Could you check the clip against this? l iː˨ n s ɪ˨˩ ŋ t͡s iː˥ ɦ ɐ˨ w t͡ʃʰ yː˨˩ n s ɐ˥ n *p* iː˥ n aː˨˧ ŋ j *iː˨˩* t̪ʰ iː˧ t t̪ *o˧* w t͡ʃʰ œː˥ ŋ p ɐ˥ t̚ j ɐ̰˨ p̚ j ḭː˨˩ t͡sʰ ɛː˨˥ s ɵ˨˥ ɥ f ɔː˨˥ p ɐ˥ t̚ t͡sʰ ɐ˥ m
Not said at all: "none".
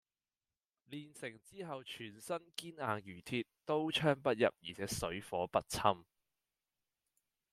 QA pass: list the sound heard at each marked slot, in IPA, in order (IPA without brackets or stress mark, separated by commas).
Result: k, yː˨˩, o˥